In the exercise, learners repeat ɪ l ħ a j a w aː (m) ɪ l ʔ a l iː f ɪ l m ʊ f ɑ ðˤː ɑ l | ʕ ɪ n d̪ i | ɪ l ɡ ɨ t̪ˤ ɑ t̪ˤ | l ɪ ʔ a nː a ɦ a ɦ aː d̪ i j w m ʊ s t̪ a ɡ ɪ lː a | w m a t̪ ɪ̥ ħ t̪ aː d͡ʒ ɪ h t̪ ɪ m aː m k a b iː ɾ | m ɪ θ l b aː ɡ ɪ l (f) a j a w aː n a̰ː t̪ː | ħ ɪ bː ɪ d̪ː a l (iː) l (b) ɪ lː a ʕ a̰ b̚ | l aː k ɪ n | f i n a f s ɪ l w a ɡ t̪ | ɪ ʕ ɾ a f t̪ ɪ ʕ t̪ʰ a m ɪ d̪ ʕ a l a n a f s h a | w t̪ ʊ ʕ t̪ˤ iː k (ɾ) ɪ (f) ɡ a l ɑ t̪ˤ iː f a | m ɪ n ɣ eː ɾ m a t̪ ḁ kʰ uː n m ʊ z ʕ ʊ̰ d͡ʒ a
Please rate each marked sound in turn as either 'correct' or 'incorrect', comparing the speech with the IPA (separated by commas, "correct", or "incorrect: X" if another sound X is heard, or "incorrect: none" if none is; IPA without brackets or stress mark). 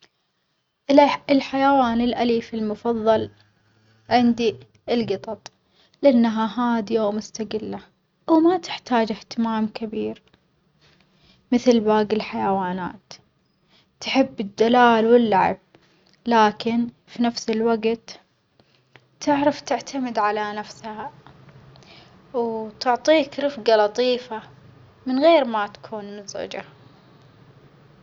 incorrect: n, incorrect: ħ, incorrect: aː, incorrect: w, correct, correct